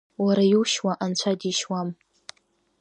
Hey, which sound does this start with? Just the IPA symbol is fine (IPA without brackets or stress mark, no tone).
w